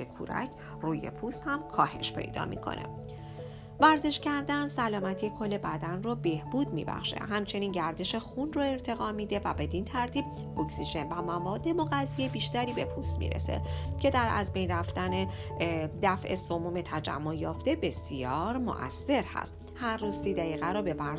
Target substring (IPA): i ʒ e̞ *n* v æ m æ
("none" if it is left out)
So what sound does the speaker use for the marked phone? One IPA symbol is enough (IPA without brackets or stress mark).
n